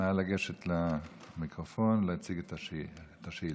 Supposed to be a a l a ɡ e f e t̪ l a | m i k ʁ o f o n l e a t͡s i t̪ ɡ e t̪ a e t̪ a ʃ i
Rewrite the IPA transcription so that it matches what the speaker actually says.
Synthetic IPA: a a l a ɡ e ʃ e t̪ l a | m i k ʁ o f o n l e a t͡s i ɡ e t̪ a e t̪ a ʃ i